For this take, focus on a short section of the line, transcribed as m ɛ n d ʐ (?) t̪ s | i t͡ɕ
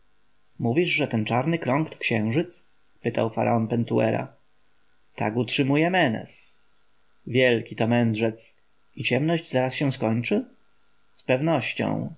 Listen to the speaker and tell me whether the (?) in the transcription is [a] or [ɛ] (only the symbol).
ɛ